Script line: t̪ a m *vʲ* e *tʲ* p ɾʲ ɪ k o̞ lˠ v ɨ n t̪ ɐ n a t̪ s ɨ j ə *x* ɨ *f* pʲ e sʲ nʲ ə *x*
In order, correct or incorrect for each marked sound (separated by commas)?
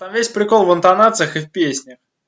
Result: correct, incorrect, correct, correct, correct